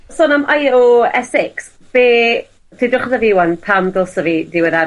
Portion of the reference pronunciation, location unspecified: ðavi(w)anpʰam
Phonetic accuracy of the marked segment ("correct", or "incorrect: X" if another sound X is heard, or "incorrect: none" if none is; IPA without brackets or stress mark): correct